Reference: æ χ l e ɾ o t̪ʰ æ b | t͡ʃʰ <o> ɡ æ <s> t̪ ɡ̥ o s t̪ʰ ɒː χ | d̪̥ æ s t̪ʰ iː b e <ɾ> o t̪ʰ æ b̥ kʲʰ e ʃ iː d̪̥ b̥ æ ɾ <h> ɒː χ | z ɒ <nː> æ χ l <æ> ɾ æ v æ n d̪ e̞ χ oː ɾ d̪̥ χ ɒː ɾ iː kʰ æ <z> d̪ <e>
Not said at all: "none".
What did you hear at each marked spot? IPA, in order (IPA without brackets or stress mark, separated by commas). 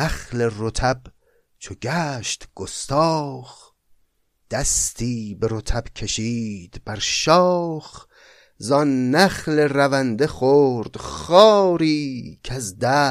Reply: o, ʃ, ɾ, ʃ, nː, e, z, æ